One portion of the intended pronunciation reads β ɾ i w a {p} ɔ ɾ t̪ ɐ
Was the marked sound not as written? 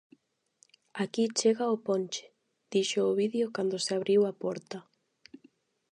no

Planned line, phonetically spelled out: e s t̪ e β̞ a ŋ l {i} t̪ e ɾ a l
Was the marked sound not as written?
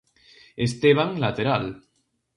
yes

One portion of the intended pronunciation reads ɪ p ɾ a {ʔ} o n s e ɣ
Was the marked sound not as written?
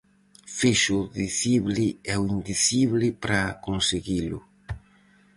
yes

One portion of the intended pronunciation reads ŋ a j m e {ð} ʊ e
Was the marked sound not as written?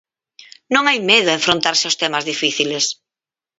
no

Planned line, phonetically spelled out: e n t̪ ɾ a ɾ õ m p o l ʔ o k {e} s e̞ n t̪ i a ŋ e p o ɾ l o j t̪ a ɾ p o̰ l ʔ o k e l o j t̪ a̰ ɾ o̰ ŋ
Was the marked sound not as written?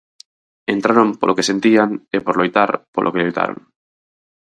no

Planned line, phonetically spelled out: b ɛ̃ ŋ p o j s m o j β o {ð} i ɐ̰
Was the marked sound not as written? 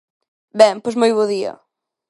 no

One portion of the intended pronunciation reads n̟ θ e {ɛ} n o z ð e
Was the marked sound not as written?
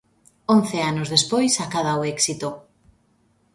yes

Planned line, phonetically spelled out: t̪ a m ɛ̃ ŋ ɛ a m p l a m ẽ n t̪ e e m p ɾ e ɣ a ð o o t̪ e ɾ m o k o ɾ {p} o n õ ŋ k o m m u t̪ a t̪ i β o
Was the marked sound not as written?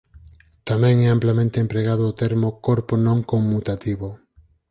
no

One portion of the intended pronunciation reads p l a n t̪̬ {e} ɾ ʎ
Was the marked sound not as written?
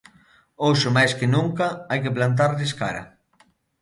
yes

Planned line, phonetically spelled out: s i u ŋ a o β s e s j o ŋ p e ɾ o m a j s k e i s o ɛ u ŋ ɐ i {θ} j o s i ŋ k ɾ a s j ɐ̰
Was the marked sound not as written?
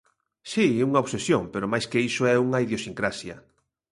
yes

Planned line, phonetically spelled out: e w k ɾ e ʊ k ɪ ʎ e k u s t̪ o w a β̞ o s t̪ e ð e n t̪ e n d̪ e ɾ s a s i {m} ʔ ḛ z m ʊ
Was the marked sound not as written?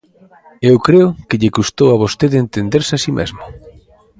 no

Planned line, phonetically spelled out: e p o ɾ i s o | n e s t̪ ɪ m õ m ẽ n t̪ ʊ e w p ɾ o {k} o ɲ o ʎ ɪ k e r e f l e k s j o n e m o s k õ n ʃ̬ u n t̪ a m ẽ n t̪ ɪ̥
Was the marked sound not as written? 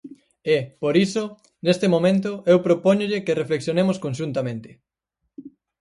yes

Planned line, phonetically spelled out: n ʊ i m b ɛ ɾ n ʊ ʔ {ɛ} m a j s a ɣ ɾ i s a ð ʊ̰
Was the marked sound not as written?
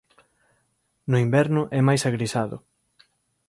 no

